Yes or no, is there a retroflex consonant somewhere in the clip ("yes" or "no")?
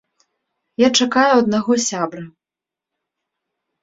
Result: yes